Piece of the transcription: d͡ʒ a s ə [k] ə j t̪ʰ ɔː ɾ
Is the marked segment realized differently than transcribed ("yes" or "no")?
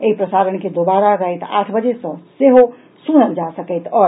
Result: no